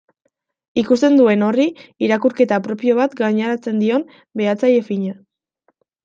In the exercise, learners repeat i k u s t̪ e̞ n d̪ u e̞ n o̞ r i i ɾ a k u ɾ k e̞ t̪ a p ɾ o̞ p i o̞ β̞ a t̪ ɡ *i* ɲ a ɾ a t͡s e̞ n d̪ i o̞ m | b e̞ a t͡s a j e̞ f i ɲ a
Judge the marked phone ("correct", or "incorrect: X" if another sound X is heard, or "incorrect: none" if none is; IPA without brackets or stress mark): incorrect: a